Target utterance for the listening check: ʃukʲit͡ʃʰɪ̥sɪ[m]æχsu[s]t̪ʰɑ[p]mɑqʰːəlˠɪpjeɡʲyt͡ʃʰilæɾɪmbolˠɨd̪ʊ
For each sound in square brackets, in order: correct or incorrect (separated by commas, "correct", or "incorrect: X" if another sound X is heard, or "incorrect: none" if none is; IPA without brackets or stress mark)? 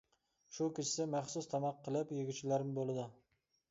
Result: correct, correct, incorrect: none